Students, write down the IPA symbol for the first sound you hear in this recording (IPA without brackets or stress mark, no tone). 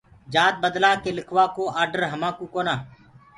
d͡ʒ